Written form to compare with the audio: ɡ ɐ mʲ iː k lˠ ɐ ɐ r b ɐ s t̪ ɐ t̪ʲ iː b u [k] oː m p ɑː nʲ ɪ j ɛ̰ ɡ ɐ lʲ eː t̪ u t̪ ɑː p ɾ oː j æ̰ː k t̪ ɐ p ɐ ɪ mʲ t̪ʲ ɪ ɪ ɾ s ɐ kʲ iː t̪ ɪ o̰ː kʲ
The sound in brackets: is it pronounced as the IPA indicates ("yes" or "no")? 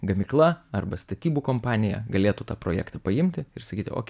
yes